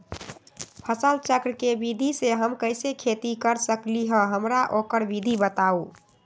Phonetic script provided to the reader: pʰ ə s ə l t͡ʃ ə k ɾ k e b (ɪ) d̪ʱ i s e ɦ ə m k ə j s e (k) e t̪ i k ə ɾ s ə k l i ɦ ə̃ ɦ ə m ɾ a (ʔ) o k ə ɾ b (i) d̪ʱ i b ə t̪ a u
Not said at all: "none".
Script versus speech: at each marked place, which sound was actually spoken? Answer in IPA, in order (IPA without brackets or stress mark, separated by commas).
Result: i, kʰ, ʔ, i